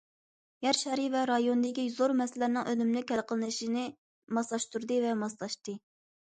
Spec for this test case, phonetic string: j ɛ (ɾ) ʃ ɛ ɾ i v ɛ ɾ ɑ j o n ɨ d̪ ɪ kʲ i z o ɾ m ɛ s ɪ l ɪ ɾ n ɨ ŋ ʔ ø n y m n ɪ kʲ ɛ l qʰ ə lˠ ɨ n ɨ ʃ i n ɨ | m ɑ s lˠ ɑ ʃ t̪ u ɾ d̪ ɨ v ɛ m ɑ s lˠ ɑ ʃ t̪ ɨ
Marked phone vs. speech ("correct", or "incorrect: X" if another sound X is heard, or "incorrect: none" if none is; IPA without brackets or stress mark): correct